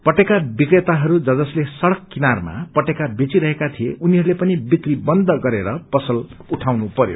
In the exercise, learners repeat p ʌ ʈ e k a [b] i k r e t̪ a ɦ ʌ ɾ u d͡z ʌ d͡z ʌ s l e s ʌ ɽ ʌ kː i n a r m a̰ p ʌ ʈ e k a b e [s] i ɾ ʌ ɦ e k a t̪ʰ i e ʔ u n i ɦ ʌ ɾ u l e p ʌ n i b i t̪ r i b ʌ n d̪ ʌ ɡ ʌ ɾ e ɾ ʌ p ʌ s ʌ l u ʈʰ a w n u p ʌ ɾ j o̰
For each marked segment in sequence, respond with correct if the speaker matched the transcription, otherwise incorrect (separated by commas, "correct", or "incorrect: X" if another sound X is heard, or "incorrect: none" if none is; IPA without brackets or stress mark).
correct, incorrect: t͡s